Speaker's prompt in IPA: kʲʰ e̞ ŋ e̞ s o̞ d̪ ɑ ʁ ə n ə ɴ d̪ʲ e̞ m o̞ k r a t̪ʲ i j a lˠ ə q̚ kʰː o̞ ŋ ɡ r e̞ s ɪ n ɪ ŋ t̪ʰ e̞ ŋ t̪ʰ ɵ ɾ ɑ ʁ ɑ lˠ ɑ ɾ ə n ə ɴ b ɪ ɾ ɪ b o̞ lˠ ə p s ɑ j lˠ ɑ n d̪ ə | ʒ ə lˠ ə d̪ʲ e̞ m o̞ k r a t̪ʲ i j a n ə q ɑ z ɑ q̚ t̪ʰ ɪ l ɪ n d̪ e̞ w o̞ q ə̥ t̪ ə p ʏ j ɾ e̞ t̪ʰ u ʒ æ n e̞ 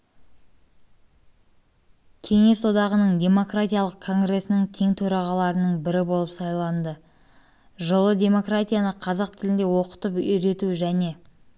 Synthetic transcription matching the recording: kʲʰ e̞ ŋ e̞ s o̞ d̪ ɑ ʁ ə n ə ɴ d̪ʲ e̞ m o̞ k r a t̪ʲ i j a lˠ ə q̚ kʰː o̞ ŋ ɡ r e̞ s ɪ n ɪ ŋ t̪ʰ e̞ ŋ t̪ʰ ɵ ɾ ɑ ʁ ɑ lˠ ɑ ɾ ə n ə ɴ b ɪ ɾ ɪ b o̞ lˠ ə p s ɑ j lˠ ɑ n d̪ ə | ʒ ə lˠ ə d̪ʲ e̞ m o̞ k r a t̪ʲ i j a n ə qʰ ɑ z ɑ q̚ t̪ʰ ɪ l ɪ n d̪ e̞ w o̞ q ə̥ t̪ ə p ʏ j ɾ e̞ t̪ u ʒ æ n e̞